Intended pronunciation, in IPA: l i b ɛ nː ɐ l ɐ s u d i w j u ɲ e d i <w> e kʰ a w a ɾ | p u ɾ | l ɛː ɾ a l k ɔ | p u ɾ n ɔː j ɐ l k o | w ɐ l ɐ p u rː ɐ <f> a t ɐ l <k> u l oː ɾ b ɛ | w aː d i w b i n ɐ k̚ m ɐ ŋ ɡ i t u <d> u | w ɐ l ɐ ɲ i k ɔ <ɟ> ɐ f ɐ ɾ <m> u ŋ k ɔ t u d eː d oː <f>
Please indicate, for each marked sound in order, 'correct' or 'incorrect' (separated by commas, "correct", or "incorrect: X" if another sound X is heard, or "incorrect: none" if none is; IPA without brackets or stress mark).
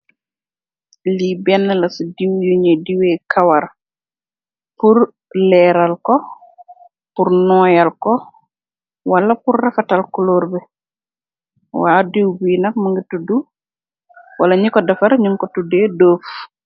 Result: correct, correct, correct, correct, incorrect: d, incorrect: ɲ, correct